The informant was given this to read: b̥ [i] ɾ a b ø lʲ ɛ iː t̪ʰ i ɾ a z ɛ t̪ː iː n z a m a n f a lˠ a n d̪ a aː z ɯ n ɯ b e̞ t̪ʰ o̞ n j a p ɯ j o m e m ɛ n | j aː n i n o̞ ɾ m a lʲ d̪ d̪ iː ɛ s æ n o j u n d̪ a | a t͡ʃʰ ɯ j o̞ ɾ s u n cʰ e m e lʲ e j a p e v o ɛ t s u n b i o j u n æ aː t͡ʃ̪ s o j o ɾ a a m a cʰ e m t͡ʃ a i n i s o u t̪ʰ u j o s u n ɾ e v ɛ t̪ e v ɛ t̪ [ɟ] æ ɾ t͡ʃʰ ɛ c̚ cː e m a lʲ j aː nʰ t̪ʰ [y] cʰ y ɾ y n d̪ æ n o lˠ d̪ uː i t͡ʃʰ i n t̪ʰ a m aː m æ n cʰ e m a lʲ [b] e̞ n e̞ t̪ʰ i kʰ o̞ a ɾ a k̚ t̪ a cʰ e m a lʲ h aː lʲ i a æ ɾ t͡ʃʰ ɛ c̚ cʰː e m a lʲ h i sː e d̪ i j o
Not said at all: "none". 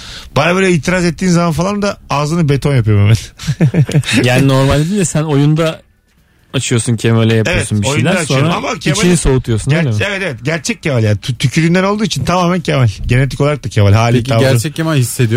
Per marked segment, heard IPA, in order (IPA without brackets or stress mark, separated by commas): a, ɟ, y, ɟ